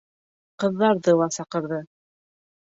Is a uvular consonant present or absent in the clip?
present